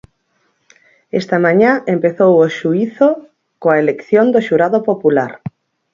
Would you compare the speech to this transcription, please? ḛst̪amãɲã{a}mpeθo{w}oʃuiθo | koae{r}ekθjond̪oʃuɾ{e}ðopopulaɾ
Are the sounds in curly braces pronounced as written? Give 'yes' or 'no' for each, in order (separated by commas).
no, yes, no, no